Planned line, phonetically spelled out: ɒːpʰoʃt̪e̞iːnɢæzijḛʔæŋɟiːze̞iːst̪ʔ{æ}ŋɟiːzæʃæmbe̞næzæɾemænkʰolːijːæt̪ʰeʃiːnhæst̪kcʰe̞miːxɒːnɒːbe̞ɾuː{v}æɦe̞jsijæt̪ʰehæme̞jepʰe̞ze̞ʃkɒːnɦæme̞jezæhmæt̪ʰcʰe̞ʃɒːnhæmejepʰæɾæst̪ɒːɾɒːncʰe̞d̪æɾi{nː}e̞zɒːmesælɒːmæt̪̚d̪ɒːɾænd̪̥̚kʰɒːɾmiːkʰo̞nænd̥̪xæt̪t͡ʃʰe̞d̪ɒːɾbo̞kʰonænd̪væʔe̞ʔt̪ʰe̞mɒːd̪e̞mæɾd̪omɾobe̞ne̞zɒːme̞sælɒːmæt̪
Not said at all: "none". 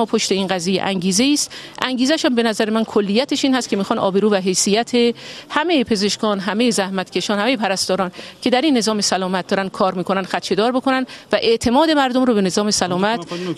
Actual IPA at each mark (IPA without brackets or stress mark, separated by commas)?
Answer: æ, v, nː